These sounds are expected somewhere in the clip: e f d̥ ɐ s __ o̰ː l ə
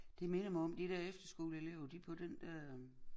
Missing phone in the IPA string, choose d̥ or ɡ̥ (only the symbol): ɡ̥